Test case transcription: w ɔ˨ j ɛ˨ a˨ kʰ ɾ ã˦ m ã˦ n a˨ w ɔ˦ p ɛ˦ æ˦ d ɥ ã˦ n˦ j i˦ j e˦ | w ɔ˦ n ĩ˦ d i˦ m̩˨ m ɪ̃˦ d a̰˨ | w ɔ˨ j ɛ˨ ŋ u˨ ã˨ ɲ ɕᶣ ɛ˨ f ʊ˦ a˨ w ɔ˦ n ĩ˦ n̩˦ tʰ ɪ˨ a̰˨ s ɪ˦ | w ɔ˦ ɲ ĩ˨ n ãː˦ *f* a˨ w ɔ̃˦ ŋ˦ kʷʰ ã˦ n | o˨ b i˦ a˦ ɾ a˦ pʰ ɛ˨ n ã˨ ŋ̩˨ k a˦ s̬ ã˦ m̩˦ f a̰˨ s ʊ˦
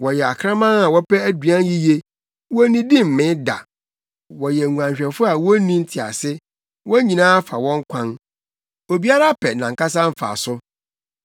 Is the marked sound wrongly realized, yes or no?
no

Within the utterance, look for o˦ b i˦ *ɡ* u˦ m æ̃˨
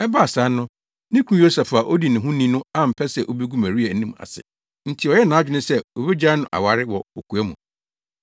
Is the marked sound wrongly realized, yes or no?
no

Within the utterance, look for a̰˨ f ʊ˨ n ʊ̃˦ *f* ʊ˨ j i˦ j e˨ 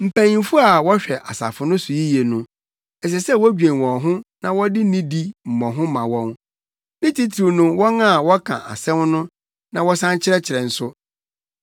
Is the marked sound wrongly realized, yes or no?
yes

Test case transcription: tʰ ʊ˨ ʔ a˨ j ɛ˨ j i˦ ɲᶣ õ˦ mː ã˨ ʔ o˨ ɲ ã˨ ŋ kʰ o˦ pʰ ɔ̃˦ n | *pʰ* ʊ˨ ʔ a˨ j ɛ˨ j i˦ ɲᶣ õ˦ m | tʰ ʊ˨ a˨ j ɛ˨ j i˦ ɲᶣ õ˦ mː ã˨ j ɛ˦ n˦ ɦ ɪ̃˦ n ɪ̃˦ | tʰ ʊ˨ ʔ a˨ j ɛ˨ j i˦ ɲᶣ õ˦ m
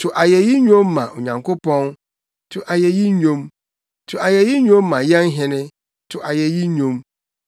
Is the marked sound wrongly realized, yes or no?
yes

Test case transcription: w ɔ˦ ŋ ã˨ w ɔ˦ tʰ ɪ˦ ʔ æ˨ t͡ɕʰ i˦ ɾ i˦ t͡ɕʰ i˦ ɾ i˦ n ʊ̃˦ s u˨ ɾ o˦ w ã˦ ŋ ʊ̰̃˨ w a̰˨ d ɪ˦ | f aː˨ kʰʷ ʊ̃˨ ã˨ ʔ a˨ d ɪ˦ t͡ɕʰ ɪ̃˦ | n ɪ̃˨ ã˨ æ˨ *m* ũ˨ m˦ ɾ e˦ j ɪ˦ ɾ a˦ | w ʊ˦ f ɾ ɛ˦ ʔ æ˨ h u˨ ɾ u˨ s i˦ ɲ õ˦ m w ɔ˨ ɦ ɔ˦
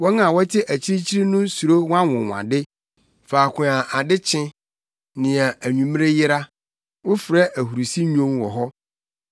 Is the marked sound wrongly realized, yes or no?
yes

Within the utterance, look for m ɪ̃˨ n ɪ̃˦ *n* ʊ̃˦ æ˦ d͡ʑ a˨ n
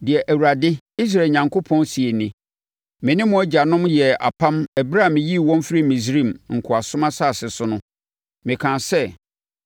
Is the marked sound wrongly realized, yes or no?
yes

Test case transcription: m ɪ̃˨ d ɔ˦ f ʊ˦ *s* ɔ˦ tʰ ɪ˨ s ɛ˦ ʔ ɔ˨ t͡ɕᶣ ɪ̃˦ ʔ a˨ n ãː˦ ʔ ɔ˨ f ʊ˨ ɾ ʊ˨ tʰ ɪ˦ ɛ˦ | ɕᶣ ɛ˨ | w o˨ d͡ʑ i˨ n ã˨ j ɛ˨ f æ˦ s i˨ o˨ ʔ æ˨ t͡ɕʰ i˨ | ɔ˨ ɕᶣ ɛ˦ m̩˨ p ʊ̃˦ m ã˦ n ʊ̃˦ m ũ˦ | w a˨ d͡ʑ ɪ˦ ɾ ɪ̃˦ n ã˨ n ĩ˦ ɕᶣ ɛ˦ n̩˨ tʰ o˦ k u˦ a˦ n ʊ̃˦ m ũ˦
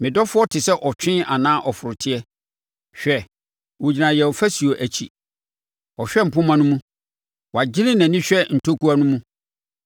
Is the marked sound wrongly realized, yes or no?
yes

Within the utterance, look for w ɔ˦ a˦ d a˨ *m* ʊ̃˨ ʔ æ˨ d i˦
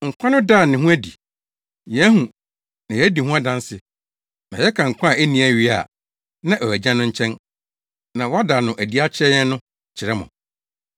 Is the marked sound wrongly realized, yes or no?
yes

